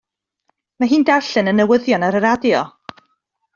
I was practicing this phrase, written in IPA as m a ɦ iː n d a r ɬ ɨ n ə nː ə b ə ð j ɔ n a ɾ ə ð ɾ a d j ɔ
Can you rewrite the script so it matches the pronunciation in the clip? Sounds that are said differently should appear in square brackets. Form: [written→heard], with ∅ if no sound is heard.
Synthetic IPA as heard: m a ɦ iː n d a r ɬ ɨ n ə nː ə [b→w] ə ð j ɔ n a ɾ ə [ð→∅] ɾ a d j ɔ